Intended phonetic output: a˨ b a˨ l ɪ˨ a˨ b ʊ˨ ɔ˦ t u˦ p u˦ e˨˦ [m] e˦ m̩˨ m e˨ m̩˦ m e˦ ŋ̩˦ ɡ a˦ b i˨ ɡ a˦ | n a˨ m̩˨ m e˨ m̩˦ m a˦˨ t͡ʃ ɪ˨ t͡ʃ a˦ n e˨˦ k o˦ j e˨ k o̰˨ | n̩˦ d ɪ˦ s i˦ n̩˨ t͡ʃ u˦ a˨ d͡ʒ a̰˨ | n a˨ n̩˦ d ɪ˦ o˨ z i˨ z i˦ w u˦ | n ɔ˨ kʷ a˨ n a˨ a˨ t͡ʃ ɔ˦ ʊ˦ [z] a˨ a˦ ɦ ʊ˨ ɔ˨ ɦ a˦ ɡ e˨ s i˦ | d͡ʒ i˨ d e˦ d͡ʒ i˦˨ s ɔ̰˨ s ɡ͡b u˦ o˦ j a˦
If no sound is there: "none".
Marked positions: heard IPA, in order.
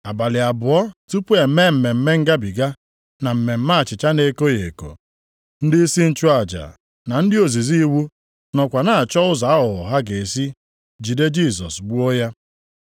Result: m, z

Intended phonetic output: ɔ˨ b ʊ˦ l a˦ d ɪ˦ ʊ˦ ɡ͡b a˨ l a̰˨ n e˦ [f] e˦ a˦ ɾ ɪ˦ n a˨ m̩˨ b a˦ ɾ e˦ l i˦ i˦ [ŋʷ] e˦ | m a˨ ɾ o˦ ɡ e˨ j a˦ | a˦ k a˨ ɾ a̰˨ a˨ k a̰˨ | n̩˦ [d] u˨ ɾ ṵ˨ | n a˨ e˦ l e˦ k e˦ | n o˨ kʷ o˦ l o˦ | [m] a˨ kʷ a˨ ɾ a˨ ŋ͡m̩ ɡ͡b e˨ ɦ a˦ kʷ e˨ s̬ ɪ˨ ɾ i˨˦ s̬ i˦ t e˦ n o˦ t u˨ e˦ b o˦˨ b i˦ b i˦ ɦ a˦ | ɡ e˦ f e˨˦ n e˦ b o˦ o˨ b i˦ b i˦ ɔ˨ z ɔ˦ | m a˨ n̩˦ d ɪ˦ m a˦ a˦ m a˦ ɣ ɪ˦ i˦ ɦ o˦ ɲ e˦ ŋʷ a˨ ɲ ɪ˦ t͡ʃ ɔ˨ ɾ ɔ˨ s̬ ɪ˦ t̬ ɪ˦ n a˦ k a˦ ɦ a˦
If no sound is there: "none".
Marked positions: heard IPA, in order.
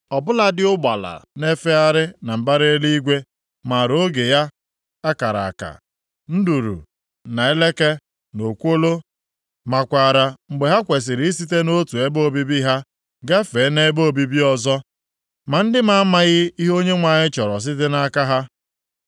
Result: f, ɡʷ, d, m

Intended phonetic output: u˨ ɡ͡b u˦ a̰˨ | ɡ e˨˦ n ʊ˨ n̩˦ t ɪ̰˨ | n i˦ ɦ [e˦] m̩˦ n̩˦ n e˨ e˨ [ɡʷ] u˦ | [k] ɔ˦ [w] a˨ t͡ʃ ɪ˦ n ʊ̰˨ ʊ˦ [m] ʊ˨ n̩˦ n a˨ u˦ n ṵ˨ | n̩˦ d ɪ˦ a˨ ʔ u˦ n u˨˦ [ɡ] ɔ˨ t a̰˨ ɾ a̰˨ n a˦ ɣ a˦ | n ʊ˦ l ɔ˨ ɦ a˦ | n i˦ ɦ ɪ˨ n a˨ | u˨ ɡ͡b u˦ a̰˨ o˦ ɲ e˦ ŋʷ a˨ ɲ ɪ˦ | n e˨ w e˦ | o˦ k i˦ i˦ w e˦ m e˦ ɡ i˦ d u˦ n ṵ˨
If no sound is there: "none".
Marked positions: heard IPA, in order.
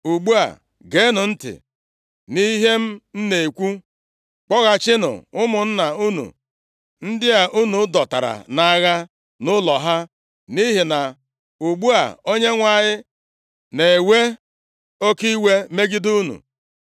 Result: e˦, kʷ, k͡p, ɣ, m, d

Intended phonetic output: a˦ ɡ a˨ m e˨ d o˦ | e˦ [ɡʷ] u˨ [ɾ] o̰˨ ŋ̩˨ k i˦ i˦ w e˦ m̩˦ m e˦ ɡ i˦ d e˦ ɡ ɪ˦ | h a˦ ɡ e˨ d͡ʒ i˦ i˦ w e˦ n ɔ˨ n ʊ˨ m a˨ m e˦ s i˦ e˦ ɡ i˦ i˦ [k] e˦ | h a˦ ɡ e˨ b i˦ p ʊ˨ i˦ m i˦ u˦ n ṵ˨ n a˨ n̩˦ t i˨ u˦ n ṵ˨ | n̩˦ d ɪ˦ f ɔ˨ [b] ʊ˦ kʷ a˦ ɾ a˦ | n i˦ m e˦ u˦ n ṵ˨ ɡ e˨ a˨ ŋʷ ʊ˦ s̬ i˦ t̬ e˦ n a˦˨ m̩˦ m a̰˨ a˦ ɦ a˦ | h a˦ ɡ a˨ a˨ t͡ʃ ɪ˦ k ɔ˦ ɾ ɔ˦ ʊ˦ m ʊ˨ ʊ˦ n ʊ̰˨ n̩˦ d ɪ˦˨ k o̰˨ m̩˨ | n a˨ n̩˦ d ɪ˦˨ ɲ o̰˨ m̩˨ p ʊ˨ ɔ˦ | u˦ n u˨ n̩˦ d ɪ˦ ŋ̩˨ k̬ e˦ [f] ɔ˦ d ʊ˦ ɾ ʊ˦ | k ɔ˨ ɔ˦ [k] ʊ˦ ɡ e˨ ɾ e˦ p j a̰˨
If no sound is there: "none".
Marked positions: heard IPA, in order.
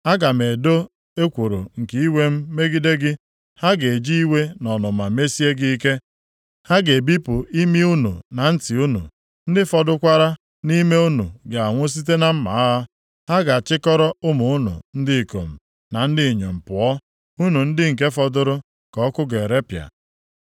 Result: kʷ, ɾ, k, d, f, k

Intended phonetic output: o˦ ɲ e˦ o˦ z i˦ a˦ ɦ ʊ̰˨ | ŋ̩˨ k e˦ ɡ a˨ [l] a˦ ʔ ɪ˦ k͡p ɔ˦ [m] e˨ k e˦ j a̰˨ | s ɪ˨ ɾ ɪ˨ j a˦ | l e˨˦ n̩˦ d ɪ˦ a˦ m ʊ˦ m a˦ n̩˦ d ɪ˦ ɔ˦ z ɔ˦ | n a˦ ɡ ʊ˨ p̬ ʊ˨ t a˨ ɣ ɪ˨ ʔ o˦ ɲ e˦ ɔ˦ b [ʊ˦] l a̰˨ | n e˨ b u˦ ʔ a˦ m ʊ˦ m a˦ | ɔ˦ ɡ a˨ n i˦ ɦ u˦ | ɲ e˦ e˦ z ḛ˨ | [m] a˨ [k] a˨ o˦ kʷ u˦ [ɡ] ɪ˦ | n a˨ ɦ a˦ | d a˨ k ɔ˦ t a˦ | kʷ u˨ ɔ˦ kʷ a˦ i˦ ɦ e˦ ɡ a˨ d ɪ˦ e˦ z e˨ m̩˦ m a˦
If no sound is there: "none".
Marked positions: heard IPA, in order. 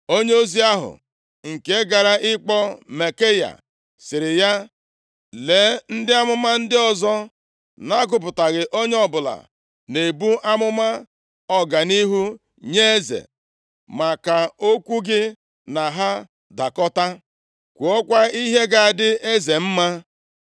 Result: ɾ, m, ʊ˨, m, k, ɡ

